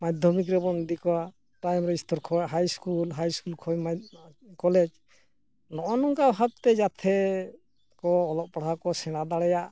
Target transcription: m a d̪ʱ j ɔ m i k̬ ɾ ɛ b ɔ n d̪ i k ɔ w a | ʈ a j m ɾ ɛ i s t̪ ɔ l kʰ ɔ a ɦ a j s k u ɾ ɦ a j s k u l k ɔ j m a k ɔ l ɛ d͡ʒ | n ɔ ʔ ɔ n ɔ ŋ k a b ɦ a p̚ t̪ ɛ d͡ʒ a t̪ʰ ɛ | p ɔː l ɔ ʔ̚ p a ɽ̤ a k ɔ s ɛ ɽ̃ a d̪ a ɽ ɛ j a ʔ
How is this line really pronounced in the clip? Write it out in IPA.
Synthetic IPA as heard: m a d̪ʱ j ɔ m i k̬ ɾ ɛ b ɔ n d̪ i k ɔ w a | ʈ a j m ɾ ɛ i s t̪ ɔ ɾ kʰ ɔ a ɦ a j s k u l ɦ a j s k u l kʰ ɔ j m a k ɔ l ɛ d͡ʒ | n ɔ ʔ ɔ n ɔ ŋ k a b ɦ a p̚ t̪ ɛ d͡ʒ a t̪ʰ ɛ | k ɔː l ɔ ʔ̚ p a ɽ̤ a k ɔ s ɛ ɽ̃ a d̪ a ɽ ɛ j a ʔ